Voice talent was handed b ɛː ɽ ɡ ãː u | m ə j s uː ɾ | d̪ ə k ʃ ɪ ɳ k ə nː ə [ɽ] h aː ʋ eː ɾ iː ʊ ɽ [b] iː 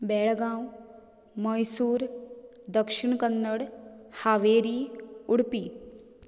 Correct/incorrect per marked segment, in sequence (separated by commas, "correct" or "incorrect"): correct, incorrect